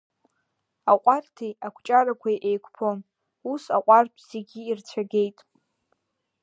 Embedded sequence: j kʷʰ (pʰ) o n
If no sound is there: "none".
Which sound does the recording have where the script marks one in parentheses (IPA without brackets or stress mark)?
pʰ